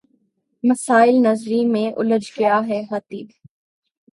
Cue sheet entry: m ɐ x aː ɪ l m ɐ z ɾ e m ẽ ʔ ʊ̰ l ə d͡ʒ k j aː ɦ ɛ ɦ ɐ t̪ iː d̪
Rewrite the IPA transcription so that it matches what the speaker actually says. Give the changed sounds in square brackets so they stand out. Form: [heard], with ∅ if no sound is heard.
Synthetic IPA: m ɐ [s] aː ɪ l [n] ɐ z ɾ [i] m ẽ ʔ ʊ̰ l ə d͡ʒ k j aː ɦ ɛ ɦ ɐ t̪ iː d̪